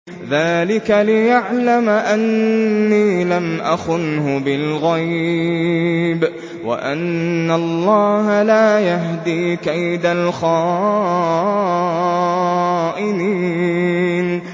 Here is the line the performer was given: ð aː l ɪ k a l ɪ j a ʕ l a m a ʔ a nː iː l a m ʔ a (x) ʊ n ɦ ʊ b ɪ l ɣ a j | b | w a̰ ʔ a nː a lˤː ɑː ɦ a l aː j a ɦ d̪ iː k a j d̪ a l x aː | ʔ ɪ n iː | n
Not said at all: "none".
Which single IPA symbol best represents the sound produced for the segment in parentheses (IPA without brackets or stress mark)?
x